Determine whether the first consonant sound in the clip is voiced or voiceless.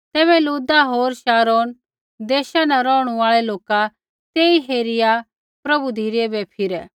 voiceless